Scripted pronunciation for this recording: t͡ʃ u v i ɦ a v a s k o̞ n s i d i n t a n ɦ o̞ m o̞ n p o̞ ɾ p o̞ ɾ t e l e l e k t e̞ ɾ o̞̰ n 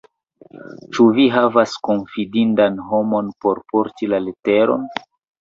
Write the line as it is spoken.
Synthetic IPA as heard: t͡ʃ u v i ɦ a v a s k o̞ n f i d i n d a n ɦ o̞ m o̞ n p o̞ ɾ p o̞ ɾ t i l a l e t e̞ ɾ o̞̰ n